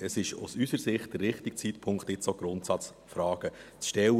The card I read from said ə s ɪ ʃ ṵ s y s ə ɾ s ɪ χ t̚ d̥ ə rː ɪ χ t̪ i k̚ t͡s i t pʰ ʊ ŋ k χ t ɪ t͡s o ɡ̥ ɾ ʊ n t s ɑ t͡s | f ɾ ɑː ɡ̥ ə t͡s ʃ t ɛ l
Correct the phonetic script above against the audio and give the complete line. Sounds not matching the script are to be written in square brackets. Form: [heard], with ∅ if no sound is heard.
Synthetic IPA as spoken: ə s ɪ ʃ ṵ s y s ə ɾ s ɪ χ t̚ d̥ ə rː ɪ χ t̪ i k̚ t͡s i t pʰ ʊ ŋ k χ t ɪ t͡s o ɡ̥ ɾ ʊ n t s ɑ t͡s | f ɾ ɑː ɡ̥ ə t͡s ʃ t ɛ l